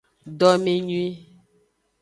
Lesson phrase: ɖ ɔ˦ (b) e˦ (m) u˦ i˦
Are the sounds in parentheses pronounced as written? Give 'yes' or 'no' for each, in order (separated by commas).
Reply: no, no